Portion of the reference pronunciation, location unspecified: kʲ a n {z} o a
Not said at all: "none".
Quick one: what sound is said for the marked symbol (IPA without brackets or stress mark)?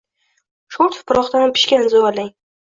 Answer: z